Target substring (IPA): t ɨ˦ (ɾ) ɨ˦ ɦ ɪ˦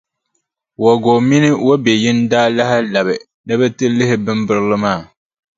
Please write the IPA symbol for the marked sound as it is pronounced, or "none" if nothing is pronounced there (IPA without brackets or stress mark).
l